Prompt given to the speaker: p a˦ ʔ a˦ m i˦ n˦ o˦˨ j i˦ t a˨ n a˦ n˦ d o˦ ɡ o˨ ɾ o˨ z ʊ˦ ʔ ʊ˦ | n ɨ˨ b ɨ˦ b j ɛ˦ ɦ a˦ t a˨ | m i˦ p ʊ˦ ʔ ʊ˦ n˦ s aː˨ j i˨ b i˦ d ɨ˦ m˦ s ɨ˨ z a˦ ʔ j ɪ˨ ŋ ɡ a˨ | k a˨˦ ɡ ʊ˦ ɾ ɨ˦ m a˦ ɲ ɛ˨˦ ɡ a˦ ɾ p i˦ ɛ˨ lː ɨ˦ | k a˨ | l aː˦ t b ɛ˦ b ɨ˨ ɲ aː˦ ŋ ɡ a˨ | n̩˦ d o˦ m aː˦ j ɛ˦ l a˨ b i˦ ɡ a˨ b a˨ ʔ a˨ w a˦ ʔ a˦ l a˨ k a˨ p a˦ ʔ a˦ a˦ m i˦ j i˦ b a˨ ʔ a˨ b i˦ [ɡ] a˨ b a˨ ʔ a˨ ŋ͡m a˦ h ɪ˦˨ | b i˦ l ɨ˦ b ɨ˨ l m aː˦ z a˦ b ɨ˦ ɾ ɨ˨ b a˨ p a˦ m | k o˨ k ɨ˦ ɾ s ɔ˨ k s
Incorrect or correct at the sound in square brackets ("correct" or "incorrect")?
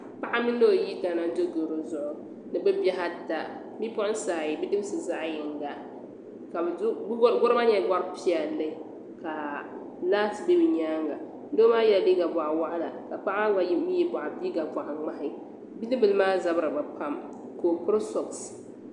correct